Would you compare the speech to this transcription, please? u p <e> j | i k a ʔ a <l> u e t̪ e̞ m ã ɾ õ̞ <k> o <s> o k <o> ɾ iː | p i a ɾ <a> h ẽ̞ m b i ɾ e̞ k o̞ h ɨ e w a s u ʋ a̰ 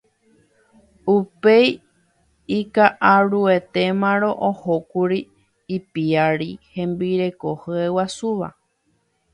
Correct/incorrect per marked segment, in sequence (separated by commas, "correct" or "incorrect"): correct, incorrect, incorrect, incorrect, incorrect, incorrect